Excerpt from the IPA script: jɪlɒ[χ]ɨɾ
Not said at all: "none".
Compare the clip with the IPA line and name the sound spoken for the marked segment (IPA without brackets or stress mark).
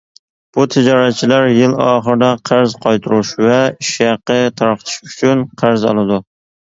χ